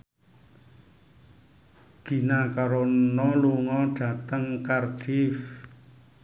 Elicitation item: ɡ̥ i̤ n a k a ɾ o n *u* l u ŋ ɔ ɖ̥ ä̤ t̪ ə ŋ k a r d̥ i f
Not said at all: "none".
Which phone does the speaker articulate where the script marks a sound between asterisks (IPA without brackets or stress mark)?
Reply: ɔ